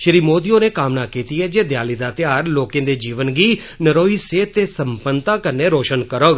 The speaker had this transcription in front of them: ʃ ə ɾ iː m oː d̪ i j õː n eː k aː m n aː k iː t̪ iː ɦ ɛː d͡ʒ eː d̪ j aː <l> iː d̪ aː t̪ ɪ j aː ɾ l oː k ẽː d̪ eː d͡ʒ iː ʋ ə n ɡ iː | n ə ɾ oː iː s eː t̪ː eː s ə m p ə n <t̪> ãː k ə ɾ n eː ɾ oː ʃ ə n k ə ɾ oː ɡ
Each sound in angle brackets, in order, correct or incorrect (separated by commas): correct, correct